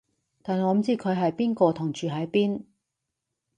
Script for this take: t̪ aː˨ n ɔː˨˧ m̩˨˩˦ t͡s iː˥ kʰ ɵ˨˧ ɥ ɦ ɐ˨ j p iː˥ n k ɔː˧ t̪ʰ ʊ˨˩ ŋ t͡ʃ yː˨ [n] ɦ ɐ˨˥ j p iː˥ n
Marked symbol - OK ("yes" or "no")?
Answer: no